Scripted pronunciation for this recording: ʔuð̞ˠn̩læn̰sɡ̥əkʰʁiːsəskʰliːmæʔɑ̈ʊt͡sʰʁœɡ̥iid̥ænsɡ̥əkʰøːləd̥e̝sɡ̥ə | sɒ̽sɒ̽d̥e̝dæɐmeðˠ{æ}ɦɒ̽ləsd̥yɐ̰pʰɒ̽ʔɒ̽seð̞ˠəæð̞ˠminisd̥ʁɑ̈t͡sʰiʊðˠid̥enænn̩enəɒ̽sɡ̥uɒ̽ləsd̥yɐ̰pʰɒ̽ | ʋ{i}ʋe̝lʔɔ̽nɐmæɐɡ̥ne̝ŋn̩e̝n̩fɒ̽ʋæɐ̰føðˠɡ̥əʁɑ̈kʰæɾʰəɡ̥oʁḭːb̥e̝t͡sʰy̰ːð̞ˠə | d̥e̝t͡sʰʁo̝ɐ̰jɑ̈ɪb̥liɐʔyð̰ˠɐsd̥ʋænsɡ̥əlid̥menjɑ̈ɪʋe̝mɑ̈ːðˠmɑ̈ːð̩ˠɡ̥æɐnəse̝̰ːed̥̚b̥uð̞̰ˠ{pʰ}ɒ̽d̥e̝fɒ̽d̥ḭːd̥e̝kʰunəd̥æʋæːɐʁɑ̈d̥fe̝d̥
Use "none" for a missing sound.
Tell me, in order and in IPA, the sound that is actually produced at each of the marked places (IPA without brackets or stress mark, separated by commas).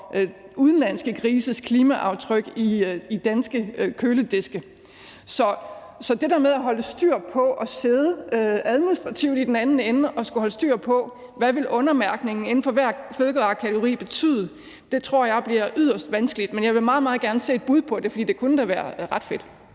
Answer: æ, æ, pʰ